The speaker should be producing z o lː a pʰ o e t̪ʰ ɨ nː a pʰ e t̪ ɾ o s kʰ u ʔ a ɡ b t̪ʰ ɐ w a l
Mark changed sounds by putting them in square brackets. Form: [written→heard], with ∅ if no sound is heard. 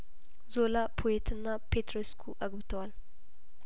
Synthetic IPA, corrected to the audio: z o [lː→l] a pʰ o e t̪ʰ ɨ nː a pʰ e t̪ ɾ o s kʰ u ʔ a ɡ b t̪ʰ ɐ w a l